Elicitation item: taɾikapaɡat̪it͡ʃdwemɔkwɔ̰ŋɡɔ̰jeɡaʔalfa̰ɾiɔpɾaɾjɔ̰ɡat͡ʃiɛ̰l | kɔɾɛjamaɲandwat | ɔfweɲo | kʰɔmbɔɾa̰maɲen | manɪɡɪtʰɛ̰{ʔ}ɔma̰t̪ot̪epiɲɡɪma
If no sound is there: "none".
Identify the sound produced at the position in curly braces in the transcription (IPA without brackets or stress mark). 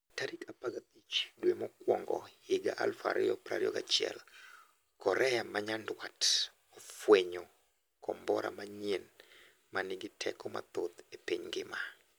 k